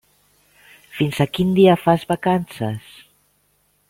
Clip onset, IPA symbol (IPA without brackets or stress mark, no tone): f